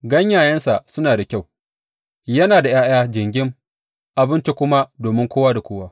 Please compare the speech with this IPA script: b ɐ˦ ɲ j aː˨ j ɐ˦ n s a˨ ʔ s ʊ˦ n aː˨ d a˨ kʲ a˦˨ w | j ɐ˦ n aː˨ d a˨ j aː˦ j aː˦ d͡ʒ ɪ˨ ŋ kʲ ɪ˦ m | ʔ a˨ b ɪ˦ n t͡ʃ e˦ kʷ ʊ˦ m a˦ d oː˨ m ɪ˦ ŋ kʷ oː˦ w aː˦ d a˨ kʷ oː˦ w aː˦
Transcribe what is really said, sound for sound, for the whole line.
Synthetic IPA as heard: ɡ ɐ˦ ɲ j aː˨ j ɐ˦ n s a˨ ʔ s ʊ˦ n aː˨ d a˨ kʲ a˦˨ w | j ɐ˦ n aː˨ d a˨ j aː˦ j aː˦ d͡ʒ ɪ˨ ŋ ɡʲ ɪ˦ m | ʔ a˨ b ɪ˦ n t͡ʃ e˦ kʷ ʊ˦ m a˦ d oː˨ m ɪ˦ ŋ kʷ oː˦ w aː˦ d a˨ kʷ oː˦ w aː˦